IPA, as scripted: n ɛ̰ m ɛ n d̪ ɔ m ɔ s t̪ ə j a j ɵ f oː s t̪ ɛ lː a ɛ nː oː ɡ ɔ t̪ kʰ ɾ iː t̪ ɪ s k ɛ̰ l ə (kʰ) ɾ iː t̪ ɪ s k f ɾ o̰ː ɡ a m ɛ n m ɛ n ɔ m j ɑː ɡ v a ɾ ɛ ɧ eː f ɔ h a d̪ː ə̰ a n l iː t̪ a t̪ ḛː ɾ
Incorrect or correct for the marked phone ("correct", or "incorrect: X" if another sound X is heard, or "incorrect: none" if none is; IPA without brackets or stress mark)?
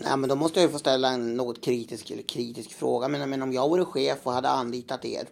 correct